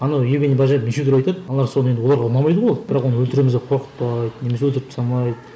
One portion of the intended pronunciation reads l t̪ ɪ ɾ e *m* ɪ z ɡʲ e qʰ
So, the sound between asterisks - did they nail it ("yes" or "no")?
yes